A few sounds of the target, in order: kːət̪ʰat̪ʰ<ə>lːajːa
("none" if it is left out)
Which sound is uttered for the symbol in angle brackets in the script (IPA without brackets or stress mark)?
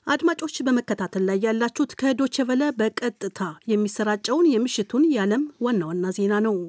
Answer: ə